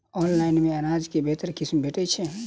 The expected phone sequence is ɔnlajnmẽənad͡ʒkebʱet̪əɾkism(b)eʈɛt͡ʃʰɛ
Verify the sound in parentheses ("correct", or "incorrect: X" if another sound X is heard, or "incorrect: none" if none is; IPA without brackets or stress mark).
correct